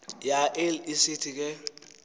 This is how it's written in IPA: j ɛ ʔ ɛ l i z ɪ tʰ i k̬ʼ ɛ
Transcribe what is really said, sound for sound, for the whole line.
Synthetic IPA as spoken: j a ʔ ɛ l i s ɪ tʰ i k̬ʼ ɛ